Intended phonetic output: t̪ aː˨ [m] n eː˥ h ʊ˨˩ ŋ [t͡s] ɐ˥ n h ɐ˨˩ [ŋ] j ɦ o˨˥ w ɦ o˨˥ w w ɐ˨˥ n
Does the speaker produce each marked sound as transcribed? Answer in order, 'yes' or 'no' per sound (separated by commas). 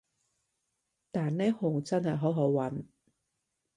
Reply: no, yes, no